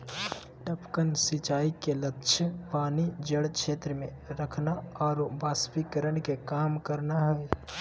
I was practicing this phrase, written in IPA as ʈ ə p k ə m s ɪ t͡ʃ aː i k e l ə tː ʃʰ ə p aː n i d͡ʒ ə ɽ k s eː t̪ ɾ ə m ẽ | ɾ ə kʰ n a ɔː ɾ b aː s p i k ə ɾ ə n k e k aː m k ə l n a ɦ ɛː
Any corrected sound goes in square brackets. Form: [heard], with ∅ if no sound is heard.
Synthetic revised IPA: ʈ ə p k ə [n] s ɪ t͡ʃ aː i k e l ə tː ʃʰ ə p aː n i d͡ʒ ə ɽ k [ʃ] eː t̪ ɾ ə m ẽ | ɾ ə kʰ n a ɔː ɾ b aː s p i k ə ɾ ə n k e k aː m k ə [ɾ] n a ɦ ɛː